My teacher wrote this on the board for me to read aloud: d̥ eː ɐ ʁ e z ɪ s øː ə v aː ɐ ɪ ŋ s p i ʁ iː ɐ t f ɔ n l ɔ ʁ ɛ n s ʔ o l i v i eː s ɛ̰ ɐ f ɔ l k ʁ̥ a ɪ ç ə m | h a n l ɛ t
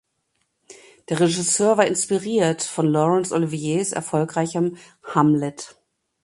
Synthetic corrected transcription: d̥ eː ɐ ʁ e ʒ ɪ s øː ɐ v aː ɐ ɪ n s p i ʁ iː ɐ t f ɔ n l ɔ ʁ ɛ n s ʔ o l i v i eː s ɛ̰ ɐ f ɔ l k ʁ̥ a ɪ ç ə m | h a m l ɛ t